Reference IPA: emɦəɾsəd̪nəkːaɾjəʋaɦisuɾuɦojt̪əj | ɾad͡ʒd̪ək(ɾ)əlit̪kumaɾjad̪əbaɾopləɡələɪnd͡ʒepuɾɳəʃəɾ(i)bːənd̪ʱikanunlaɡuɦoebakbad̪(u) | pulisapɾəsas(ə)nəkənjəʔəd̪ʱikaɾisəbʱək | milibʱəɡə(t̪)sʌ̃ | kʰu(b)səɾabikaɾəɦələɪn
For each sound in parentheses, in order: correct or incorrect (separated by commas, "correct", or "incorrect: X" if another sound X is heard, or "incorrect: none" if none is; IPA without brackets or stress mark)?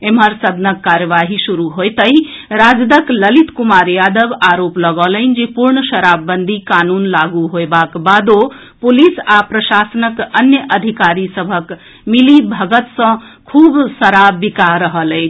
incorrect: l, incorrect: a, incorrect: o, correct, correct, correct